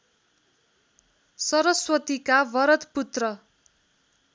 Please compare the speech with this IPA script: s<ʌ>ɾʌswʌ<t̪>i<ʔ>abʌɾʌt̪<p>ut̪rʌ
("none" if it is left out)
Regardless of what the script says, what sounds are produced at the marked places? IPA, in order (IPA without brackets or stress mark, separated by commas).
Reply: ʌ, t̪, k, p